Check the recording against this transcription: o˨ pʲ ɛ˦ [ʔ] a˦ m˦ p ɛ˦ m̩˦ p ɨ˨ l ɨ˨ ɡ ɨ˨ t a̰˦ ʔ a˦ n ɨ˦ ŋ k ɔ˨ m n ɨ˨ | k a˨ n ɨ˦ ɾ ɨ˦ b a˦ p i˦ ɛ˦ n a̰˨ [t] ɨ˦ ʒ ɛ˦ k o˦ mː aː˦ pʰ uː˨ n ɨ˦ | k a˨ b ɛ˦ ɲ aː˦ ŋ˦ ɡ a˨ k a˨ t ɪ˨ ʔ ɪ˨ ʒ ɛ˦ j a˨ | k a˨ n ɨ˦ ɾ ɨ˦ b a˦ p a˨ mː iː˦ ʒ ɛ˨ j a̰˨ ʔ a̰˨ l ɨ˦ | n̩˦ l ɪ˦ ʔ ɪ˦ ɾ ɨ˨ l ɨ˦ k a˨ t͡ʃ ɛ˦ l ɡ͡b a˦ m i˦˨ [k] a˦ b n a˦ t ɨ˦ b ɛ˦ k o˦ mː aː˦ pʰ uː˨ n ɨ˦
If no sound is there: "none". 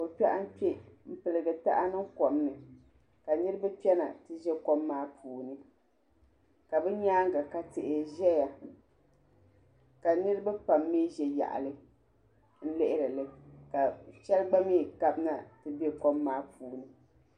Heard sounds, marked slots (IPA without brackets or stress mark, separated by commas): ʔ, t, k